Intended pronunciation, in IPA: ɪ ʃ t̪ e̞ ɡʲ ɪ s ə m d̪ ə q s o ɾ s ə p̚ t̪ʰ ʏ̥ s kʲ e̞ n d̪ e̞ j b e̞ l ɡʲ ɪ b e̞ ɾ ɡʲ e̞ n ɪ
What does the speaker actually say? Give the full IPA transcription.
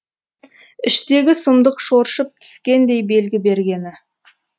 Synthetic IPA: ɪ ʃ t̪ e̞ ɡʲ ɪ s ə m d̪ ə q ʃ o ɾ ʃ ə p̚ t̪ʰ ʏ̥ s kʲ e̞ n d̪ e̞ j b e̞ l ɡʲ ɪ b e̞ ɾ ɡʲ e̞ n ɪ